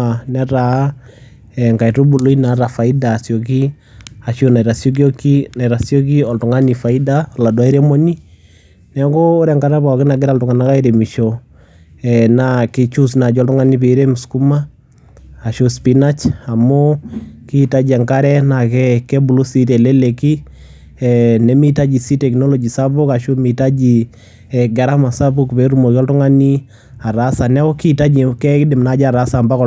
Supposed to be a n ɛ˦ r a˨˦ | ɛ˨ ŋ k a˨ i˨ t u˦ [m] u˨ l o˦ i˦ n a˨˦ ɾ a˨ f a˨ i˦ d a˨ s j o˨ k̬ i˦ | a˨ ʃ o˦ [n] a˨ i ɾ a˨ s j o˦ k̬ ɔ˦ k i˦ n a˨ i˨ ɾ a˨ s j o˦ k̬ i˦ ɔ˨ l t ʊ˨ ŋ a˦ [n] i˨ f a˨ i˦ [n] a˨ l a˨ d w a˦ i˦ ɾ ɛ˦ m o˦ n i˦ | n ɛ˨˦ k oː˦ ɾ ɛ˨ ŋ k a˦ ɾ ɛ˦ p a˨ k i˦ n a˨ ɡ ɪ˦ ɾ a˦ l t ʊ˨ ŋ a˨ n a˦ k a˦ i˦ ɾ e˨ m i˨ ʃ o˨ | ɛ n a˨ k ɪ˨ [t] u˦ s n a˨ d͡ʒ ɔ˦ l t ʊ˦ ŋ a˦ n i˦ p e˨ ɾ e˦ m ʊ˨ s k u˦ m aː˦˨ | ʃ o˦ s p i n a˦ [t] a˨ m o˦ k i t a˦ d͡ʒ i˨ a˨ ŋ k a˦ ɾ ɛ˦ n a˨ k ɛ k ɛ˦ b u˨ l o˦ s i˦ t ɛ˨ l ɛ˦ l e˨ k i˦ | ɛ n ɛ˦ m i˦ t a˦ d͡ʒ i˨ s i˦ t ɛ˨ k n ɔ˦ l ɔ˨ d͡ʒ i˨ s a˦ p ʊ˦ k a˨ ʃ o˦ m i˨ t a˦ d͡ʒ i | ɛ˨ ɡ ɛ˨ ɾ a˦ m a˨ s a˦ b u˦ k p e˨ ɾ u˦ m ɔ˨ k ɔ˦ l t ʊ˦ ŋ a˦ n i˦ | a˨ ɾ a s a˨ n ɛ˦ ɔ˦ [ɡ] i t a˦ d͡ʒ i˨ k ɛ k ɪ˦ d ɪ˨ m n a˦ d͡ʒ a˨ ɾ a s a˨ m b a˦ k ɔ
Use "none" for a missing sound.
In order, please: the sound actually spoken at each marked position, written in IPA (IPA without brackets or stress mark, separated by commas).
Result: b, n, n, d, t͡ʃ, t͡ʃ, k